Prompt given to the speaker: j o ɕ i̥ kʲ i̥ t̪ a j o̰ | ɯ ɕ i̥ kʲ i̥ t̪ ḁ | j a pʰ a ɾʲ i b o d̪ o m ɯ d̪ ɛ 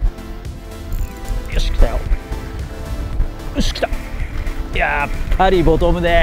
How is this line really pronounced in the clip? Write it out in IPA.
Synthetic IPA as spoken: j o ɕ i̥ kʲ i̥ t̪ a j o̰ | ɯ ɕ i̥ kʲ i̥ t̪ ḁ | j a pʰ a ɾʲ i b o t̪ o m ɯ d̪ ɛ

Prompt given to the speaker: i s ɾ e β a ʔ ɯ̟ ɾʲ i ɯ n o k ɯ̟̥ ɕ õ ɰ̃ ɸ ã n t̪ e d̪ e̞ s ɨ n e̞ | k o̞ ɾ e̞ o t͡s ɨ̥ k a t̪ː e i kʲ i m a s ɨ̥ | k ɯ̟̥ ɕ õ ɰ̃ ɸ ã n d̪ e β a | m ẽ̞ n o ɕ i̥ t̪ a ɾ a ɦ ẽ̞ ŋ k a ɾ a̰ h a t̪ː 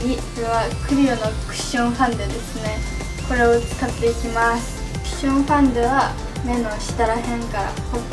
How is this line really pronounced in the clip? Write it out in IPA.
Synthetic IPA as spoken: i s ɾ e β a k ɯ̟ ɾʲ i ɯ n o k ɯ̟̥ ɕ õ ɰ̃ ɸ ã n d̪ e d̪ e̞ s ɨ n e̞ | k o̞ ɾ e̞ o t͡s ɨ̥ k a t̪ː e i kʲ i m a s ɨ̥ | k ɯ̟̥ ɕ õ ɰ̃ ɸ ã n d̪ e β a | m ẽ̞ n o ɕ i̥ t̪ a ɾ a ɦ ẽ̞ ŋ k a ɾ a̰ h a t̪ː

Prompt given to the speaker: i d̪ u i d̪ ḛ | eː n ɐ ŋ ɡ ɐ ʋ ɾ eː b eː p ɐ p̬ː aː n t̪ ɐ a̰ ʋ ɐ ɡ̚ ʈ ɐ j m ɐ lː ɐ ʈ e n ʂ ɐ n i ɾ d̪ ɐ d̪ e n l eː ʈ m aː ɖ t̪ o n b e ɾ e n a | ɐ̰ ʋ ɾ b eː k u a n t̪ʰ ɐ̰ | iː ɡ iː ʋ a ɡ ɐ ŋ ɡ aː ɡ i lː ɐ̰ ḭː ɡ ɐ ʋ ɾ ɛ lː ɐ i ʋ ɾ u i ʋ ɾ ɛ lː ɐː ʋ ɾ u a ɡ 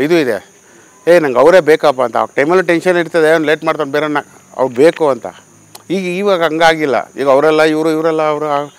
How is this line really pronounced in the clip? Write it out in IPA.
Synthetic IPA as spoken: i d̪ u i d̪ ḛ | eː n ɐ ŋ ɡ ɐ ʋ ɾ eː b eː k ɐ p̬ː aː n t̪ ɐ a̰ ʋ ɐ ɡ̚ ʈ ɐ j m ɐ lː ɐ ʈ e n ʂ ɐ n i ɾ t̪ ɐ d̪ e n l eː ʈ m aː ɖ t̪ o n b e ɾ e n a | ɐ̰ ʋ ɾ b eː k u ɐ n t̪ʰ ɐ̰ | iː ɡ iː ʋ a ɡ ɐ ŋ ɡ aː ɡ i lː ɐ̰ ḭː ɡ ɐ ʋ ɾ ɛ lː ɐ i ʋ ɾ u i ʋ ɾ ɛ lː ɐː ʋ ɾ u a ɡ

